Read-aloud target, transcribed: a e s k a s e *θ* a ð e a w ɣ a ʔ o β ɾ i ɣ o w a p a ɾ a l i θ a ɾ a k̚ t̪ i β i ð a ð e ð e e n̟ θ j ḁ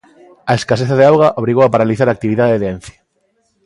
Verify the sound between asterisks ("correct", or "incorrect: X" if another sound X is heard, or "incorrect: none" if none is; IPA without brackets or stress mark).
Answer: correct